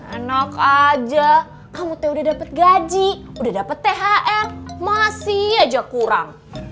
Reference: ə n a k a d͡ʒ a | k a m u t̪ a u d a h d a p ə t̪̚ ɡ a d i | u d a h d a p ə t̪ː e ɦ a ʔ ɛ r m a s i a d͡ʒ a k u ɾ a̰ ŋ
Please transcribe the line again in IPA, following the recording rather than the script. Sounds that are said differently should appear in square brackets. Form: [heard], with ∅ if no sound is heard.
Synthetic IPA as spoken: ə n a k a d͡ʒ a | k a m u t̪ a u d a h d a p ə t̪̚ ɡ a [d͡ʒ] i | u d a h d a p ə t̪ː e ɦ a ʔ ɛ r m a s i a d͡ʒ a k u ɾ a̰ ŋ